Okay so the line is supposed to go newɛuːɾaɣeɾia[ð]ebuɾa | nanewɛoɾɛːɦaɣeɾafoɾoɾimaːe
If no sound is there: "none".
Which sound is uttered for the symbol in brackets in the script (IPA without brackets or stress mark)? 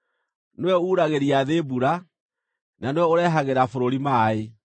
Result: ð